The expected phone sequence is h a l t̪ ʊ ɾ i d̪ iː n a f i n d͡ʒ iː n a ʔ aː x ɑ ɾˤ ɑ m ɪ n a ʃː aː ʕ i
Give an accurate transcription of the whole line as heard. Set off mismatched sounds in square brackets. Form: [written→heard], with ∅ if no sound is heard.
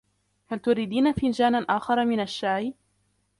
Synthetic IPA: h a l t̪ ʊ ɾ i d̪ iː n a f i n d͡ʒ [iː→aː] n a ʔ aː x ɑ ɾˤ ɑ m ɪ n a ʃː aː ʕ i